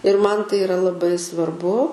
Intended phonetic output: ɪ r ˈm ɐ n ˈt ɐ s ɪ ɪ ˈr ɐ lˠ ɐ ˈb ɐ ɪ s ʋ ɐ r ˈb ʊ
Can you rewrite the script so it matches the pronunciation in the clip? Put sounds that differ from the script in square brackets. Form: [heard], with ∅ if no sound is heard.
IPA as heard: ɪ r ˈm ɐ n ˈt ɐ [∅] ɪ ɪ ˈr ɐ lˠ ɐ ˈb ɐ ɪ s ʋ ɐ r ˈb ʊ

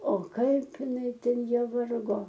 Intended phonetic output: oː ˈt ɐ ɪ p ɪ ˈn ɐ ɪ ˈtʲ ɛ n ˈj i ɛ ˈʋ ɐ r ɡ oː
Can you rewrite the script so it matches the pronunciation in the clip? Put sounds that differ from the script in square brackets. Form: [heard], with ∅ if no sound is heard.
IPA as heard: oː [ˈk] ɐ ɪ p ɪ ˈn ɐ ɪ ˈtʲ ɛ n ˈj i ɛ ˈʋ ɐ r ɡ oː

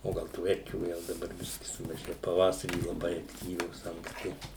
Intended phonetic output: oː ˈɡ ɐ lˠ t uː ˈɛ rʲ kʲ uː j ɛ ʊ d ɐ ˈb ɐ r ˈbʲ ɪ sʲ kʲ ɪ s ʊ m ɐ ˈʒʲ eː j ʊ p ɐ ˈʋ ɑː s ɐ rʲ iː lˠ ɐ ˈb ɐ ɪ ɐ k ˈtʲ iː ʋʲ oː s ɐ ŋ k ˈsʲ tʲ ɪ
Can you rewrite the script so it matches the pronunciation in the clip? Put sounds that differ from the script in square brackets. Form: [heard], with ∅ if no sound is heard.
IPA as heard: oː ˈɡ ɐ lˠ t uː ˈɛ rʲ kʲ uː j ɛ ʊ d ɐ ˈb ɐ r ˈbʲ ɪ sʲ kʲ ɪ s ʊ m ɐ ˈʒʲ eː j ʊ p ɐ ˈʋ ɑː s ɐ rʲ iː lˠ ɐ ˈb ɐ ɪ ɐ k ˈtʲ iː ʋʲ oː s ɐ ŋ k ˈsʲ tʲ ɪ

